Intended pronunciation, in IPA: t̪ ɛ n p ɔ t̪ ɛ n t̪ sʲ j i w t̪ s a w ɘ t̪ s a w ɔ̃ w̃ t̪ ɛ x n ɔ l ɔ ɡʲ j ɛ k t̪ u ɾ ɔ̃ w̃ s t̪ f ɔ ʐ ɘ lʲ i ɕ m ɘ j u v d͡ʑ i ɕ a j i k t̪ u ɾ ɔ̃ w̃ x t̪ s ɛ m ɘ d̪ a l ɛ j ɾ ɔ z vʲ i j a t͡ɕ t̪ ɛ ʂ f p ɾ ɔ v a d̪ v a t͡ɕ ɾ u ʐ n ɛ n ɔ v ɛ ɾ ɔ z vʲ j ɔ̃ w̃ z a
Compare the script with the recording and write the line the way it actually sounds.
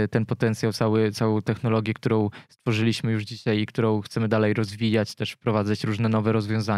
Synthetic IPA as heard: t̪ ɛ n p ɔ t̪ ɛ n t̪ sʲ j a w t̪ s a w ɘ t̪ s a w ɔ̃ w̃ t̪ ɛ x n ɔ l ɔ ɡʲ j ɛ k t̪ u ɾ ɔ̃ w̃ s t̪ f ɔ ʐ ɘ lʲ i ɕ m ɘ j u ʐ d͡ʑ i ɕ a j i k t̪ u ɾ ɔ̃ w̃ x t̪ s ɛ m ɘ d̪ a l ɛ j ɾ ɔ z vʲ i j a t͡ɕ t̪ ɛ ʂ f p ɾ ɔ v a d̪ z a t͡ɕ ɾ u ʐ n ɛ n ɔ v ɛ ɾ ɔ z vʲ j ɔ̃ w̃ z a